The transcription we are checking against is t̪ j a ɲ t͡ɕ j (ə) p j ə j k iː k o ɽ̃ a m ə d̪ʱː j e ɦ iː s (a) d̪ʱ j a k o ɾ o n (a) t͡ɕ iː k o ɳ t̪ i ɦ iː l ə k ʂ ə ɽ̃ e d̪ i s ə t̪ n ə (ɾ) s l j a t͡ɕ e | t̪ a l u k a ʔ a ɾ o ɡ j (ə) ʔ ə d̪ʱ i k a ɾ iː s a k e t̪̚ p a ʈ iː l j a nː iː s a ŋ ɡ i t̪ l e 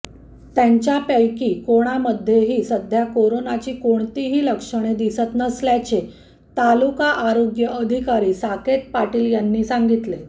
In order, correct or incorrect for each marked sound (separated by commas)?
incorrect, incorrect, correct, incorrect, correct